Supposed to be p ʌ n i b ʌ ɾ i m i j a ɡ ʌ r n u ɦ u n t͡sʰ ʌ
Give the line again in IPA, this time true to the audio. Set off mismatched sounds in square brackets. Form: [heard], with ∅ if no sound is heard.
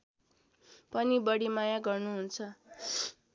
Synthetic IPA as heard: p ʌ n i b ʌ [ɽ] i m [a] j a ɡ ʌ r n u ɦ u n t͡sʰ ʌ